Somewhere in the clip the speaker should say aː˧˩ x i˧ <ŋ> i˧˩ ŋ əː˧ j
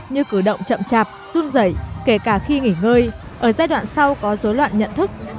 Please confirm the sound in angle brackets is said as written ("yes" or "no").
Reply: yes